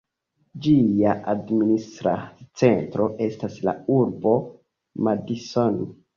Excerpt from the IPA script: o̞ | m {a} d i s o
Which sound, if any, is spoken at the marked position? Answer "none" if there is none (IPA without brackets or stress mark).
a